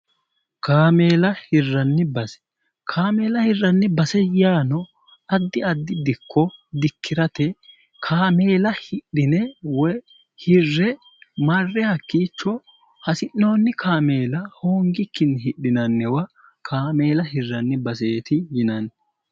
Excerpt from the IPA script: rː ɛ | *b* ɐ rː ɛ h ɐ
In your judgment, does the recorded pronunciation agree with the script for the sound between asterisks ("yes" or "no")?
no